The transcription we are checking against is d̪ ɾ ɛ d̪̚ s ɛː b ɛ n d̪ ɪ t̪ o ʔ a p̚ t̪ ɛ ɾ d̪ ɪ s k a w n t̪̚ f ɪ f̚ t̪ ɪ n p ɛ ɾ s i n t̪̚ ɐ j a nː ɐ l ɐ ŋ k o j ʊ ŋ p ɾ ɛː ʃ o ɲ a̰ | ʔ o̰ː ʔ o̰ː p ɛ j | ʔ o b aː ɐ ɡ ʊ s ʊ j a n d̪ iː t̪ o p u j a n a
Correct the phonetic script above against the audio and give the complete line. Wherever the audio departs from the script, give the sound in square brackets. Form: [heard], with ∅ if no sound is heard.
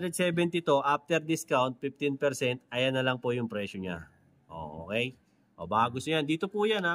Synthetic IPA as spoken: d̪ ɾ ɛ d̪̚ s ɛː b ɛ n [t̪] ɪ t̪ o ʔ a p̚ t̪ ɛ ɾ d̪ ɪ s k a w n t̪̚ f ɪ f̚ t̪ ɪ n p ɛ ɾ s [ɛ] n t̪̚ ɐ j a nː ɐ l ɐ ŋ [p] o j ʊ ŋ p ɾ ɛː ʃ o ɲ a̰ | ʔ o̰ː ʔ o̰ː [k] ɛ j | ʔ o b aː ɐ ɡ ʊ s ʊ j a n d̪ iː t̪ o p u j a n a